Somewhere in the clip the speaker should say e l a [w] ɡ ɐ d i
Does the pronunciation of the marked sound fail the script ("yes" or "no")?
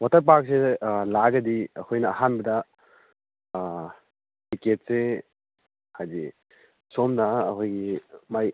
yes